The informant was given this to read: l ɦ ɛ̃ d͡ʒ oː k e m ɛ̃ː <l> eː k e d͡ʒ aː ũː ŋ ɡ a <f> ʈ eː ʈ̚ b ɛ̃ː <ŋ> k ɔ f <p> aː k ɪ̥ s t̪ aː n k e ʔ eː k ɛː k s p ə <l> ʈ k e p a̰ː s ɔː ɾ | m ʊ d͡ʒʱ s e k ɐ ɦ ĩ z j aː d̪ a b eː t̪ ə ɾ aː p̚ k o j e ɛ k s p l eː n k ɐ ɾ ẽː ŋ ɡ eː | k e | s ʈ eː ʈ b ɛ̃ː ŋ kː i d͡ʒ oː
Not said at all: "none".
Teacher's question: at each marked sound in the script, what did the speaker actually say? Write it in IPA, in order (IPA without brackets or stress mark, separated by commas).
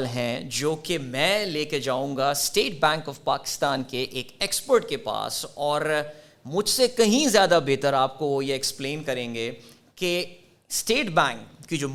l, s, ŋ, p, ɾ